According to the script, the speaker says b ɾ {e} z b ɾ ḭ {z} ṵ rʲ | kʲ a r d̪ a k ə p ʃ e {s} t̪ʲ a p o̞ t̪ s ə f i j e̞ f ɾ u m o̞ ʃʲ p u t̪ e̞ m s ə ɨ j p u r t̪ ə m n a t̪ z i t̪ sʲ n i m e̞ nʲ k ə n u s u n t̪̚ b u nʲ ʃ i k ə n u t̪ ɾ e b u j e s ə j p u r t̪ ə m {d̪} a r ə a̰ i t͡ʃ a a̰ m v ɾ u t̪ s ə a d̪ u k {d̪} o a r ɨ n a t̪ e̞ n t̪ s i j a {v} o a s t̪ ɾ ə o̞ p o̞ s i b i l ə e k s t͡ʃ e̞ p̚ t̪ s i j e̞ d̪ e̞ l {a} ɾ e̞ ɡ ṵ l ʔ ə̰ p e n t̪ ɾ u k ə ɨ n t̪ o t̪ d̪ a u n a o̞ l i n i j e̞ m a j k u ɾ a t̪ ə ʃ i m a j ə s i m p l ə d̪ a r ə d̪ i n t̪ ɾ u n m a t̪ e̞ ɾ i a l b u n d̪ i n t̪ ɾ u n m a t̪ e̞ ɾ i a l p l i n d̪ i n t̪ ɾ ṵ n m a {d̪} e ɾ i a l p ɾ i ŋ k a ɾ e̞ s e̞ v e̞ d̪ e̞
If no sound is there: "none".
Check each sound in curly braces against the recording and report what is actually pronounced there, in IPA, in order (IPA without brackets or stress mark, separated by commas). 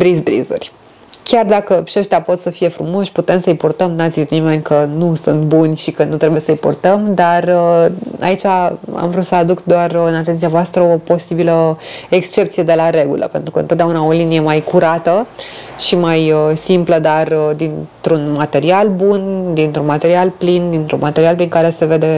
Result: i, z, ʃ, d̪, d̪, v, a, t̪